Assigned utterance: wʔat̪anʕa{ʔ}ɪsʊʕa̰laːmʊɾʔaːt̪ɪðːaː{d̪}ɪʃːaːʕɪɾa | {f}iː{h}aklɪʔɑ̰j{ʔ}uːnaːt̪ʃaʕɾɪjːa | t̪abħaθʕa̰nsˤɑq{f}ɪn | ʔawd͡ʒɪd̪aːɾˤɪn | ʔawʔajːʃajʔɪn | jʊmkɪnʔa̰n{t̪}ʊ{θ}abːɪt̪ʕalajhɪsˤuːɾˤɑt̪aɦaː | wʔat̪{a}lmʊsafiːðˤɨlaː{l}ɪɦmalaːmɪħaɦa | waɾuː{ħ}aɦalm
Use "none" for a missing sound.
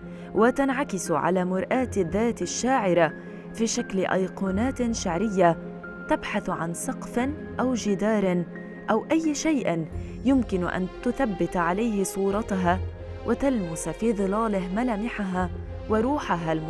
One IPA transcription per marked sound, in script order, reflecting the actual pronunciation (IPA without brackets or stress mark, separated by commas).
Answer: k, t̪, f, ʃ, q, f, t̪, θ, a, l, ħ